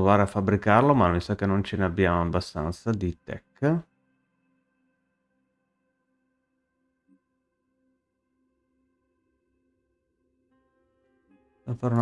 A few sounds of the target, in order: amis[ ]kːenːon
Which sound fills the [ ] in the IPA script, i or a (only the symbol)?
a